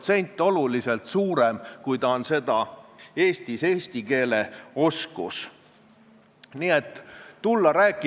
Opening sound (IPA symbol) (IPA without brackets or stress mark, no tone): t̪